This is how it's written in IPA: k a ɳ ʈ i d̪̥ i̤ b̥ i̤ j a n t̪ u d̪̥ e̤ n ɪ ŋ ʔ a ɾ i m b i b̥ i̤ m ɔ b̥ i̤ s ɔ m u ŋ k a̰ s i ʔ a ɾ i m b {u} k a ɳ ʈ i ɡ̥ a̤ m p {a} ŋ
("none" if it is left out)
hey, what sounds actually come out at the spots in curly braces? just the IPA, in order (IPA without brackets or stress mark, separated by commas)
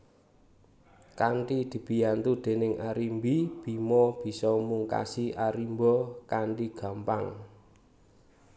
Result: ɔ, a